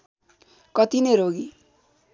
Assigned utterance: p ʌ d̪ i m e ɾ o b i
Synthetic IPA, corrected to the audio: k ʌ t̪ i n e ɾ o ɡ i

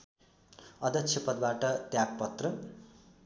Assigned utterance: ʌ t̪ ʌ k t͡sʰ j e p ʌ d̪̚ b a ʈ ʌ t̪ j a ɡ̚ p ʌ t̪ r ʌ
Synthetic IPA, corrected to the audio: ʌ d̪ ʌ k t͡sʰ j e p ʌ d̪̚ b a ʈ ʌ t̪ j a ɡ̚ p ʌ t̪ r ʌ

